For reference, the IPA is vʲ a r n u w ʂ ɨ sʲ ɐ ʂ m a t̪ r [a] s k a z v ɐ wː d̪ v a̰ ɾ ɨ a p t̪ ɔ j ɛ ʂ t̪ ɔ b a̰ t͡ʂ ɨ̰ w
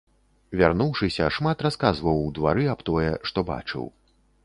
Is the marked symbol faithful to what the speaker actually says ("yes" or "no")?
yes